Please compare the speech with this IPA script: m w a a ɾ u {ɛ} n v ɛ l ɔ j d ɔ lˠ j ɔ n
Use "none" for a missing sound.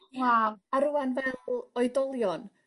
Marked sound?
a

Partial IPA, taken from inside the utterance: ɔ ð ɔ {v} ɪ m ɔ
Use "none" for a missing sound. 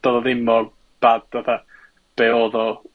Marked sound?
ð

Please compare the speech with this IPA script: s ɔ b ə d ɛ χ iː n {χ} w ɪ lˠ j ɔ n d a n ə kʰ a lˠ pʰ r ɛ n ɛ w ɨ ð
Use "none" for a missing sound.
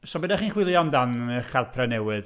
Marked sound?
χ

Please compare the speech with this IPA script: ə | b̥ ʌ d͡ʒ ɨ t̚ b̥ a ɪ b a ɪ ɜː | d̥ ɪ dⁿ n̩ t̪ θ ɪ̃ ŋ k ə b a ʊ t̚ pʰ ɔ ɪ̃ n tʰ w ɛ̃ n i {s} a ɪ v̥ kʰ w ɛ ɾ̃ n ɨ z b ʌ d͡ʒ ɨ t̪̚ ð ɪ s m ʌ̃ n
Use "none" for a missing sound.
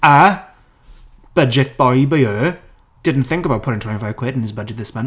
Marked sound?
f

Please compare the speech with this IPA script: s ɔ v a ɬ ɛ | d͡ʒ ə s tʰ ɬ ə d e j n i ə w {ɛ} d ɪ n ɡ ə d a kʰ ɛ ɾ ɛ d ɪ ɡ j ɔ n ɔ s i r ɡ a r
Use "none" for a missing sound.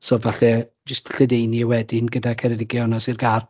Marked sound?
ɛ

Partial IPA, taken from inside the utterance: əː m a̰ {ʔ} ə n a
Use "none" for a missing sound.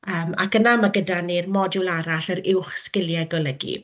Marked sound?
k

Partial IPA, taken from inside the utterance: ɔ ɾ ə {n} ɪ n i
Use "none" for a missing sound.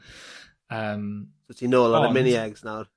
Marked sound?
m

